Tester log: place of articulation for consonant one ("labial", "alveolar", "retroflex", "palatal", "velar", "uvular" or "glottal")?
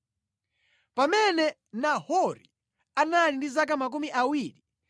labial